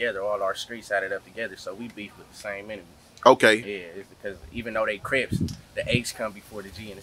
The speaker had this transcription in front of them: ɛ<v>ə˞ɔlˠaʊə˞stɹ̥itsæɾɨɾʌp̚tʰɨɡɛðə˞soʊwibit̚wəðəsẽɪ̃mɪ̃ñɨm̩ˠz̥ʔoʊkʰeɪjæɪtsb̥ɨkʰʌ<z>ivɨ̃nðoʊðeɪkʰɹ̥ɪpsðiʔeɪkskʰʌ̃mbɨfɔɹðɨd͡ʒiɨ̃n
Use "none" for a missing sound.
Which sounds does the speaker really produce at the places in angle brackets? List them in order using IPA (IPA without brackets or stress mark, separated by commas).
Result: ð, z